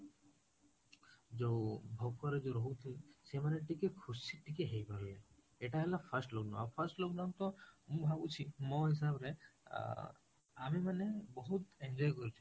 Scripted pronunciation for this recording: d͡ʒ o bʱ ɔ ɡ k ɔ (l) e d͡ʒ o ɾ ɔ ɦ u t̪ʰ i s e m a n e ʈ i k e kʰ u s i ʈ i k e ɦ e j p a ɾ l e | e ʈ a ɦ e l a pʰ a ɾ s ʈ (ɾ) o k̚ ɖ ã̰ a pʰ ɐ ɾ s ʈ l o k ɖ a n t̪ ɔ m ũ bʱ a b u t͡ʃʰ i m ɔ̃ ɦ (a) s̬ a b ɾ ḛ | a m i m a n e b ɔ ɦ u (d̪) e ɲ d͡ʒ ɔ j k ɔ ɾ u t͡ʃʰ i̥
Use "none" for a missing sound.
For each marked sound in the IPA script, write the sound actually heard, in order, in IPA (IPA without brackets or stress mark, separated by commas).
ɾ, l, i, t̪